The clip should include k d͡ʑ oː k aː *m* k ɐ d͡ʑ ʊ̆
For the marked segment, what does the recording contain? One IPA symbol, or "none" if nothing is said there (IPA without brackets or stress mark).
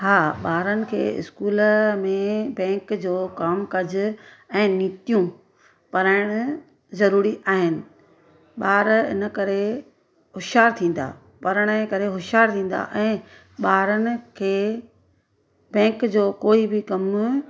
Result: m